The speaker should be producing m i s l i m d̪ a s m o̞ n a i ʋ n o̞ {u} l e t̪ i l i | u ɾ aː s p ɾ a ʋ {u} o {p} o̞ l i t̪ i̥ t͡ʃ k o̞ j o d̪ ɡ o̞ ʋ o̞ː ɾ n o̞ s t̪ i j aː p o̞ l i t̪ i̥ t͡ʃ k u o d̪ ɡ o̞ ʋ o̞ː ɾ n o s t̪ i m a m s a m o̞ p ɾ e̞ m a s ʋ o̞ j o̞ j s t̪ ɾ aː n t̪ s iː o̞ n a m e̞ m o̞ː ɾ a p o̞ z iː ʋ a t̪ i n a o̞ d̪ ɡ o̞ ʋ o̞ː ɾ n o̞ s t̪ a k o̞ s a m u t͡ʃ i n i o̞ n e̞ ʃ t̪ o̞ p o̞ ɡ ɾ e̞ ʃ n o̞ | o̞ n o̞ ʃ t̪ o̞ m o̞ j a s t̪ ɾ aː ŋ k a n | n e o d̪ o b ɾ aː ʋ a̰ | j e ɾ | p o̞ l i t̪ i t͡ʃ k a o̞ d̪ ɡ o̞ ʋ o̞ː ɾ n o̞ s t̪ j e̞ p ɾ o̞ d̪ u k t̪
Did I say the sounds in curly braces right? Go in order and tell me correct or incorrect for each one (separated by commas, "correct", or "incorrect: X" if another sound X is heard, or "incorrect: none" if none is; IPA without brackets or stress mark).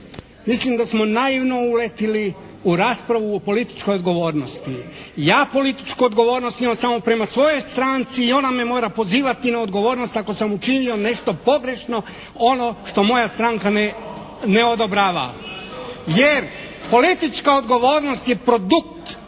correct, correct, correct